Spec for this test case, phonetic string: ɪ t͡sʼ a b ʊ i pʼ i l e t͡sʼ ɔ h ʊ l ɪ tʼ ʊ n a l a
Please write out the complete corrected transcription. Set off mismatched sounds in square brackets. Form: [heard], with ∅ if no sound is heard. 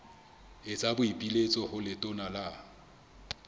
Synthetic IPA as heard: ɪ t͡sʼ a b ʊ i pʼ i l e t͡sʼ ɔ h ʊ l ɪ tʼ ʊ n a l a